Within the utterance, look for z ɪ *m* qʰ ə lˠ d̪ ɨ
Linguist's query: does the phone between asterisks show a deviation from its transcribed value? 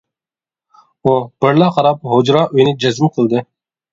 no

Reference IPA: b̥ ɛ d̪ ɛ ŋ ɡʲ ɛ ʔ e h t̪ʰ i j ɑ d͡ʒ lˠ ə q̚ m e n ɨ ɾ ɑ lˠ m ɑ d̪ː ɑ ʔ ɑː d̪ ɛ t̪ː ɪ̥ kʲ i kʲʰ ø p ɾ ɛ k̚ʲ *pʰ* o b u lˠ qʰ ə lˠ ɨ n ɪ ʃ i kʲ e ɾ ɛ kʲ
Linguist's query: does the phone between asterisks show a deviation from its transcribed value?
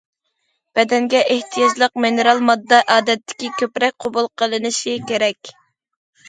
yes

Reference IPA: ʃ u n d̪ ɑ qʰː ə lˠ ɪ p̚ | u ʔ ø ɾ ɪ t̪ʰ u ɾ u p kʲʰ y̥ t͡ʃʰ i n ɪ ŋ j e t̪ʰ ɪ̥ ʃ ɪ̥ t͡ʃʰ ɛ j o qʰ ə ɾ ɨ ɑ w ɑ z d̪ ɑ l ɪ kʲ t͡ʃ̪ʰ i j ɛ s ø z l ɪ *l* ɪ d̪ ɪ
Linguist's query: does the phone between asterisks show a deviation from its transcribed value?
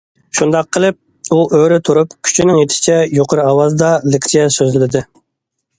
no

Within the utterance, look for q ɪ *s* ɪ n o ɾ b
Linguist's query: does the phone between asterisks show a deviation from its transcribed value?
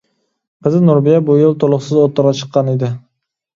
yes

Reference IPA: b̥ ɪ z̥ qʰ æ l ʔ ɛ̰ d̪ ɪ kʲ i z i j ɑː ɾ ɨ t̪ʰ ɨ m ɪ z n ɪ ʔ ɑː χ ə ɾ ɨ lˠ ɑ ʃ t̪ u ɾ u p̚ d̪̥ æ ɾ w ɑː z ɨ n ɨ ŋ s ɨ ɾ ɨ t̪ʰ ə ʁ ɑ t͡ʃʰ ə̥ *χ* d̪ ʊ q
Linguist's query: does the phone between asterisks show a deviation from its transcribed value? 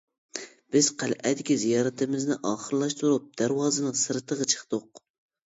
no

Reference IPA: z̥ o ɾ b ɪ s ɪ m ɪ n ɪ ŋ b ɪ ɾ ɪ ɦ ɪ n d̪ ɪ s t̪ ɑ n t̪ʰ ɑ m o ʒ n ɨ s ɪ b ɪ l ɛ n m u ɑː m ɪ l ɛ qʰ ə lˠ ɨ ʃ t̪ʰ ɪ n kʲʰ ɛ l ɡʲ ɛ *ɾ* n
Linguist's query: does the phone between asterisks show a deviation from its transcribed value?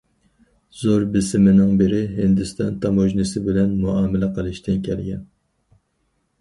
yes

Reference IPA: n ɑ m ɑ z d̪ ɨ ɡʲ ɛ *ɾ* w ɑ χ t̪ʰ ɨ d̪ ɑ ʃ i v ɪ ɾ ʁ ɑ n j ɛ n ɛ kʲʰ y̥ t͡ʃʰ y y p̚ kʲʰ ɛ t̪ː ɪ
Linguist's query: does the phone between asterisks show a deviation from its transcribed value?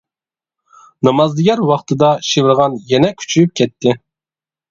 no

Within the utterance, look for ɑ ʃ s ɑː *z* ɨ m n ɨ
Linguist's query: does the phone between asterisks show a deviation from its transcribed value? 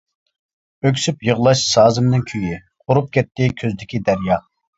no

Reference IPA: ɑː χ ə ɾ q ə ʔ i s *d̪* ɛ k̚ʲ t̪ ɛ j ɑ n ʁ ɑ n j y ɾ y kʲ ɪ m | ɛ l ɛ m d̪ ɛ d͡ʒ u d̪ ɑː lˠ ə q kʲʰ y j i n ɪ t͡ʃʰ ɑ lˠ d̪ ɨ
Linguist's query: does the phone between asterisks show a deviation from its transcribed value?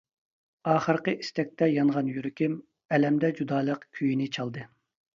yes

